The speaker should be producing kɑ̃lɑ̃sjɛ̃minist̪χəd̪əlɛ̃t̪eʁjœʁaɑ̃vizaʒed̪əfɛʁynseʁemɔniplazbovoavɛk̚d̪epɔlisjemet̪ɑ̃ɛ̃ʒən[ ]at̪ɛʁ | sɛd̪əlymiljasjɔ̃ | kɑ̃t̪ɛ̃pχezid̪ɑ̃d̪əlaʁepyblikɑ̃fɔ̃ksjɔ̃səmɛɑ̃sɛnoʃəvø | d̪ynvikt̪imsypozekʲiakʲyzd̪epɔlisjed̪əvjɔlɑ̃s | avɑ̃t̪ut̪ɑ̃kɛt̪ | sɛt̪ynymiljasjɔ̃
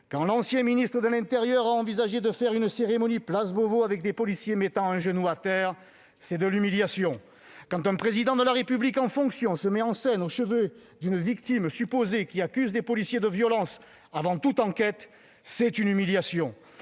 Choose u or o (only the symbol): u